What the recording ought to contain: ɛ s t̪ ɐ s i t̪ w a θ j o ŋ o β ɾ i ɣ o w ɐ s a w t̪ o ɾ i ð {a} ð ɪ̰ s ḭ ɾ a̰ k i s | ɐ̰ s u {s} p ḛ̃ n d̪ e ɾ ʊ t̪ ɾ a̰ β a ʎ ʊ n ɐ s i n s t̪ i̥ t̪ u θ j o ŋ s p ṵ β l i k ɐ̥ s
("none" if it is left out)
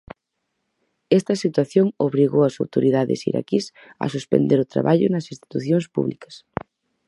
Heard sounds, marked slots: a, s

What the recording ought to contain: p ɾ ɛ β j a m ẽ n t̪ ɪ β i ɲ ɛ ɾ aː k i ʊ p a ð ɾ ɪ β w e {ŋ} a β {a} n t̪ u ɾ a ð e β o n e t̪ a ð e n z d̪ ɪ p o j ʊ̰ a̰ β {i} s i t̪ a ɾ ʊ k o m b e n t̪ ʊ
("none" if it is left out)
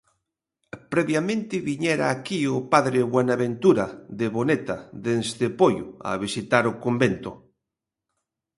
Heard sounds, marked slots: n, e, i

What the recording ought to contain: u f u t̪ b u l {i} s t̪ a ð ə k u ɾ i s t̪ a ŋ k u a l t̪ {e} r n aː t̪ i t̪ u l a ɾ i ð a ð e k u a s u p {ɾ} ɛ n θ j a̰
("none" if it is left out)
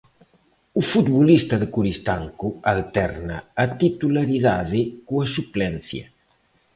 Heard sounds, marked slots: i, ɛ, l

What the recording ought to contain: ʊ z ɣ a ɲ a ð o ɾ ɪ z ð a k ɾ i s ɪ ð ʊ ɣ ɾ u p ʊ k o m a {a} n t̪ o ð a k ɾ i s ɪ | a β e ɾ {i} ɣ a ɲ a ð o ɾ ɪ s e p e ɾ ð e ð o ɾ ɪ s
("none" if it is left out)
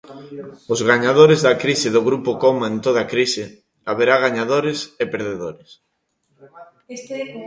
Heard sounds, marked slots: e, a

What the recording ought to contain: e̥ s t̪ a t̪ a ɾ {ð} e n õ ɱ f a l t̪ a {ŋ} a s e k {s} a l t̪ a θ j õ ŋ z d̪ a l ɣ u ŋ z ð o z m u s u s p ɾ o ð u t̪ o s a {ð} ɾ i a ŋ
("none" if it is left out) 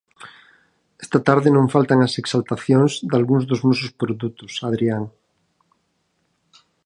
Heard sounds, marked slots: ð, ŋ, s, ð

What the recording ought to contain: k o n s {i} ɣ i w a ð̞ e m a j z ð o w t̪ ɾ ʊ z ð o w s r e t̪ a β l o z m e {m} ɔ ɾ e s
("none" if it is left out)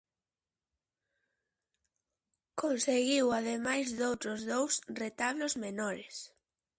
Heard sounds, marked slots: e, n

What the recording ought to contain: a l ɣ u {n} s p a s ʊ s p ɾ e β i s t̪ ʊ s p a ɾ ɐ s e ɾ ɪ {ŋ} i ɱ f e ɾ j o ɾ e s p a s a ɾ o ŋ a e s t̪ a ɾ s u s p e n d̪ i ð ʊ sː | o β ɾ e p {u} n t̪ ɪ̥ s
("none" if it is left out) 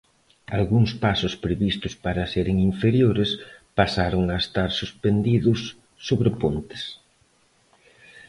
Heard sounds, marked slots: ŋ, ŋ, o

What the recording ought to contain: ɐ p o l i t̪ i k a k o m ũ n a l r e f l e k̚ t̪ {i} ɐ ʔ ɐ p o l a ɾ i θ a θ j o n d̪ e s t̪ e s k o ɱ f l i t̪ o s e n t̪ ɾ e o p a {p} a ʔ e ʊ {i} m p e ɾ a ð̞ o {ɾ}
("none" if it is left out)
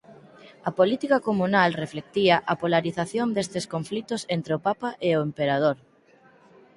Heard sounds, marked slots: i, p, e, ɾ

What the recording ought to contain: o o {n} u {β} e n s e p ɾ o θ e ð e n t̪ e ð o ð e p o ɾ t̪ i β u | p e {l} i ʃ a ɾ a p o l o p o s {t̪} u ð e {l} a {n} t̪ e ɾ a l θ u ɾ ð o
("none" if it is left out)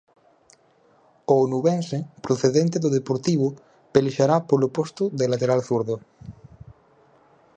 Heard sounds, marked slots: n, β, l, t̪, l, none

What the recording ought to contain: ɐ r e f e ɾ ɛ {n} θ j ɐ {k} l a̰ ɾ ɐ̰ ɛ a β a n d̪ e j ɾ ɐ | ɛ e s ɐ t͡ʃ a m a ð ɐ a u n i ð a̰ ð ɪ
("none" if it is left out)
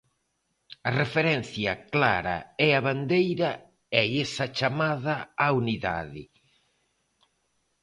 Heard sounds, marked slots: n, k

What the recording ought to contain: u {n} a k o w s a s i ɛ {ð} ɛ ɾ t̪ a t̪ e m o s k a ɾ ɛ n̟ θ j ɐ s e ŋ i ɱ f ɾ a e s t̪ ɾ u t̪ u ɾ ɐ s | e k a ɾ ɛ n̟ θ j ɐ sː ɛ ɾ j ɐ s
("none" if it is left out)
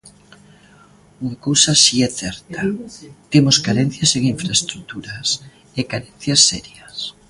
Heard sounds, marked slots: ŋ, θ

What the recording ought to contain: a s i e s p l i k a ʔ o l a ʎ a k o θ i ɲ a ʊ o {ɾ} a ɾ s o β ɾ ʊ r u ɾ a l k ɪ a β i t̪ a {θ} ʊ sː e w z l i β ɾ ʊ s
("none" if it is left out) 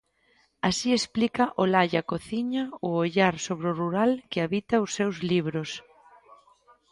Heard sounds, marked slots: ʎ, none

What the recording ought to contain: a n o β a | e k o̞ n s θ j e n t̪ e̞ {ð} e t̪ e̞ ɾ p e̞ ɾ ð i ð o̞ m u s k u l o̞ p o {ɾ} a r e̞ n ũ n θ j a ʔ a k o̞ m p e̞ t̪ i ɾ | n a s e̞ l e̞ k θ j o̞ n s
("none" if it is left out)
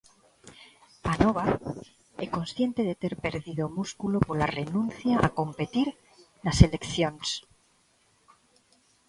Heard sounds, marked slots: ð, l

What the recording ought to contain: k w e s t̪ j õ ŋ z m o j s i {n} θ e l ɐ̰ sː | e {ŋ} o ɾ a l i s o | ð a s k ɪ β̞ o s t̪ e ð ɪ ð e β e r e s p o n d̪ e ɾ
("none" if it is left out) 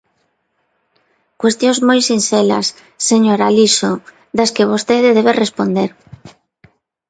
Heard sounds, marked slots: n, ɲ

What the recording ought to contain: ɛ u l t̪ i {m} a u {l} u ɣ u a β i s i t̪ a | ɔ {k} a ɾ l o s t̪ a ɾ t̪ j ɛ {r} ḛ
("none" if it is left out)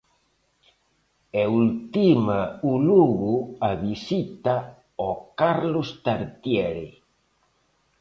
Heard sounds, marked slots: m, l, k, ɾ

